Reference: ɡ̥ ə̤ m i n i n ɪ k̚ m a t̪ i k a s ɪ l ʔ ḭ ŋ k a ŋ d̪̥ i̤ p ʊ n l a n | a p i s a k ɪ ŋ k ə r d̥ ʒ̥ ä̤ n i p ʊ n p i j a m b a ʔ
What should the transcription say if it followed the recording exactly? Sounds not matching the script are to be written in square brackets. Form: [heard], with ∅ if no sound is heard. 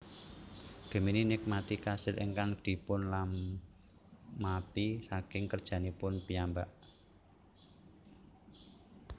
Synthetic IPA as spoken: ɡ̥ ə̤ m i n i n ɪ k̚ m a t̪ i k a s ɪ l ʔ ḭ ŋ k a ŋ d̪̥ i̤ p ʊ n l a [m] | a p i s a k ɪ ŋ k ə r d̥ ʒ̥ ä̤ n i p ʊ n p i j a m b a ʔ